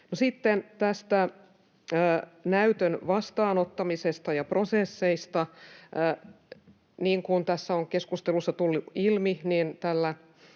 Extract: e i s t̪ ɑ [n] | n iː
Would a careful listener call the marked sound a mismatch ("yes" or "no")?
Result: yes